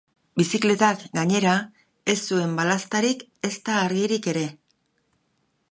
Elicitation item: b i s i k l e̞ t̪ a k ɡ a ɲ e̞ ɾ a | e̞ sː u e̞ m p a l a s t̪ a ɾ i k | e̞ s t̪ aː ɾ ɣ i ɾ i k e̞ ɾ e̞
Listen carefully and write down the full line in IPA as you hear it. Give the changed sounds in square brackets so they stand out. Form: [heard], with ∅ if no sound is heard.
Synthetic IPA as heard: b i s i k l e̞ t̪ a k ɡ a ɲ e̞ ɾ a | e̞ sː u e̞ m [b] a l a s t̪ a ɾ i k | e̞ s t̪ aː ɾ ɣ i ɾ i k e̞ ɾ e̞